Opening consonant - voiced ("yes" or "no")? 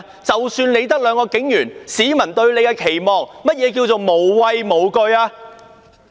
no